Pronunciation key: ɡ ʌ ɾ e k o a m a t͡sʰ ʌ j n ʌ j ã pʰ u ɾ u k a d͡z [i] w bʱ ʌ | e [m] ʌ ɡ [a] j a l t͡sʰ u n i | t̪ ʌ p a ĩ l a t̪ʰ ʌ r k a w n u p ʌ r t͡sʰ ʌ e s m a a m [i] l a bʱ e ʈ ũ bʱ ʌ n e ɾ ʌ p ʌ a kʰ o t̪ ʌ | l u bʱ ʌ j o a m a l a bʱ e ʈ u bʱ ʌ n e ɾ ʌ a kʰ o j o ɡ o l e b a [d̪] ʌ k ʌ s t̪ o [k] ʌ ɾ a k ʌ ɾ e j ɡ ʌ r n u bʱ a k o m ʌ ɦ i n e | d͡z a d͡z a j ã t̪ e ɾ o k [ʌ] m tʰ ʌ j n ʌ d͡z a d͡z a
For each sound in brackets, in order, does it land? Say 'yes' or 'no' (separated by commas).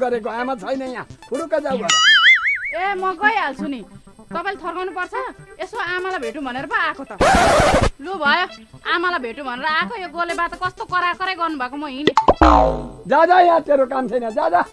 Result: no, yes, no, no, no, yes, no